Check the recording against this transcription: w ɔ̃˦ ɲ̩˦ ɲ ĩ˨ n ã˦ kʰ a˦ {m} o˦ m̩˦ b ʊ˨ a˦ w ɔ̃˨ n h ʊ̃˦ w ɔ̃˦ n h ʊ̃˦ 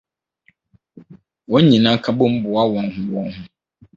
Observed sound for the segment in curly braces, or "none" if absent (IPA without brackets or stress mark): b